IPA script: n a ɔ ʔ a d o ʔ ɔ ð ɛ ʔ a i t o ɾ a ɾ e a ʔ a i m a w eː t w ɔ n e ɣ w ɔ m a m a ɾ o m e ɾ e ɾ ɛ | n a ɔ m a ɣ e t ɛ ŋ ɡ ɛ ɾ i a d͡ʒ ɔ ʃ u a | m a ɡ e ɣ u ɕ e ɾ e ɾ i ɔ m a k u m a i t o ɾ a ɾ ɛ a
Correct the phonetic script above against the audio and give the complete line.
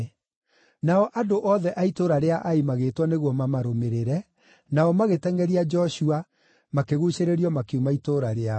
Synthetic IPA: n a ɔ ʔ a d o ʔ ɔ ð ɛ ʔ a i t o ɾ a ɾ e a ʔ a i m a ɣ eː t w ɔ n e ɣ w ɔ m a m a ɾ o m e ɾ e ɾ ɛ | n a ɔ m a ɣ e t ɛ ŋ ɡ ɛ ɾ i a d͡ʒ ɔ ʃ u a | m a k e ɣ u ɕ e ɾ e ɾ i ɔ m a k u m a i t o ɾ a ɾ e a